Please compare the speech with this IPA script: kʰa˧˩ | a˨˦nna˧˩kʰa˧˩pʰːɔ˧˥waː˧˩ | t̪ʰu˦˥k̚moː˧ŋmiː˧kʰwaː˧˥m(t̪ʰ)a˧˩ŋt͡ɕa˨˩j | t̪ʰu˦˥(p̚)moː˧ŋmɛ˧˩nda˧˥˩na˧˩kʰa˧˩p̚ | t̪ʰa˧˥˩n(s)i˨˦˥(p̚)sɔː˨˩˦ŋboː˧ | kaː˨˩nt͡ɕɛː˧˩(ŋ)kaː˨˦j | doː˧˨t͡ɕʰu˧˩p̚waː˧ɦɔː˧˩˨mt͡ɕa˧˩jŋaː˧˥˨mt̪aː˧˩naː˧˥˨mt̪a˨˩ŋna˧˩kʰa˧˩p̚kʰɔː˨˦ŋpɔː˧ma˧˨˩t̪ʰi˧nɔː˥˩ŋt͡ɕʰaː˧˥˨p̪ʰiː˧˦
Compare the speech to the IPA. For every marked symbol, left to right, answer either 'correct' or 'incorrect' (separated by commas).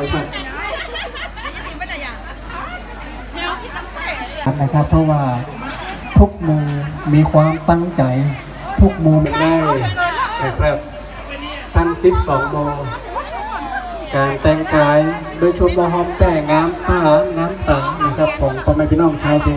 incorrect, incorrect, correct, correct, correct